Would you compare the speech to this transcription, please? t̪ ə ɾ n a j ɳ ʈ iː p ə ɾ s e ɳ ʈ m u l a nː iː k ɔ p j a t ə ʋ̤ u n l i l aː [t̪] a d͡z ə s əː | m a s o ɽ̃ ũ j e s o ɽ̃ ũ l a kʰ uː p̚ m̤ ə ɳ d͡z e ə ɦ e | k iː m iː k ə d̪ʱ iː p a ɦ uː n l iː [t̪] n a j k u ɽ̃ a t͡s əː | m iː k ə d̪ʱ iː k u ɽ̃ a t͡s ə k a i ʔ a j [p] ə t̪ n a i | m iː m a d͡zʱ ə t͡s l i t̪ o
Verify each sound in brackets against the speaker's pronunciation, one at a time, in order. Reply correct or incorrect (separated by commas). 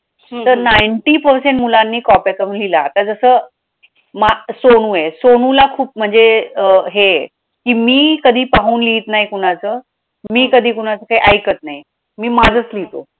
correct, correct, incorrect